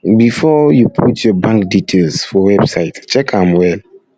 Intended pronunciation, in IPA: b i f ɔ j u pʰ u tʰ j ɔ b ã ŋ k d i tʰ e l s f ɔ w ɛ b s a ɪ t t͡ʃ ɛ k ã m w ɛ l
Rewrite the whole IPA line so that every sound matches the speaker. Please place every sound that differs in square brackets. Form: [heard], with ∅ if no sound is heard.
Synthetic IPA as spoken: b i f ɔ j u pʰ u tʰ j ɔ b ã ŋ k d i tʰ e l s f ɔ w ɛ b s a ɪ t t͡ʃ ɛ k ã m w ɛ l